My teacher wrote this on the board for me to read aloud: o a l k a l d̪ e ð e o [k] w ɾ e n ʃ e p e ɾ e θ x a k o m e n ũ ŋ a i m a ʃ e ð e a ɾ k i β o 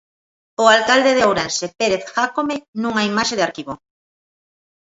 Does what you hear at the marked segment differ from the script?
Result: yes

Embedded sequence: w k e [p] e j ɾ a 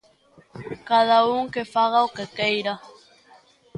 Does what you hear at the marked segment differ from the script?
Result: yes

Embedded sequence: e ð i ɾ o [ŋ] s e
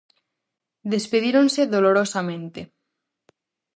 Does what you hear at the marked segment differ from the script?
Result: yes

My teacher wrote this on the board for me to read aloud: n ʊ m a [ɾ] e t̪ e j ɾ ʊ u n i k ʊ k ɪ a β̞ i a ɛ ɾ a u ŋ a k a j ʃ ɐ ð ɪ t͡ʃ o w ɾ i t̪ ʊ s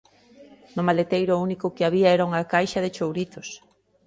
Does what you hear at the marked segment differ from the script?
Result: yes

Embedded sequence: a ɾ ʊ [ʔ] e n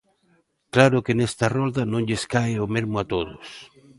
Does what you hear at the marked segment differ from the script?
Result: yes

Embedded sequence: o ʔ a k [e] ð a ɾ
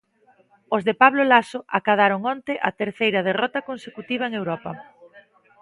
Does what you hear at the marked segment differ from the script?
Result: yes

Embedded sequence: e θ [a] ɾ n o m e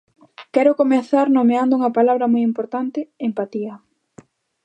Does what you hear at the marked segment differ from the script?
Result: no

